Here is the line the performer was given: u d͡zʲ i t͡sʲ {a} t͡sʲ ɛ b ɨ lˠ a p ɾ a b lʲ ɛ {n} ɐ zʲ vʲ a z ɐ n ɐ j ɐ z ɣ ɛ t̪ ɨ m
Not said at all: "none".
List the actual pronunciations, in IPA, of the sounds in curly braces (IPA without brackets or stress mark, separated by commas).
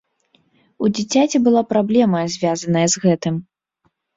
a, m